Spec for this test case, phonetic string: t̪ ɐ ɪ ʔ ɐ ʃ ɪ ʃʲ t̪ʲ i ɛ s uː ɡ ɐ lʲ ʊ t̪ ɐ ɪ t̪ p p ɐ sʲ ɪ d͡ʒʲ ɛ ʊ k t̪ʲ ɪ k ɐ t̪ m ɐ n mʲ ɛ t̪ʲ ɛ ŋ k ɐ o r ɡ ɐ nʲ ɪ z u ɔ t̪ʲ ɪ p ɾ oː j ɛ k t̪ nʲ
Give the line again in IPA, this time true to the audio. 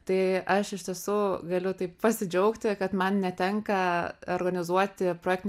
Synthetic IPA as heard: t̪ ɐ ɪ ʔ ɐ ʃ ɪ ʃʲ t̪ʲ i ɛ s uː ɡ ɐ lʲ ʊ t̪ ɐ ɪ p p ɐ sʲ ɪ d͡ʒʲ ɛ ʊ k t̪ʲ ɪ k ɐ t̪ m ɐ n nʲ ɛ t̪ʲ ɛ ŋ k ɐ o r ɡ ɐ nʲ ɪ z u ɔ t̪ʲ ɪ p ɾ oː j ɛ k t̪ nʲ